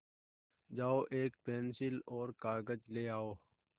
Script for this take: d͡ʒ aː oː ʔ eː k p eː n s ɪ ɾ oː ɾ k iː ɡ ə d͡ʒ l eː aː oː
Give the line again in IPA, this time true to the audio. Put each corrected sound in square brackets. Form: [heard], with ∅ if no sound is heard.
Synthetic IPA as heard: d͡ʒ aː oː ʔ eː k p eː n s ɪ [l] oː ɾ k [aː] ɡ ə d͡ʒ l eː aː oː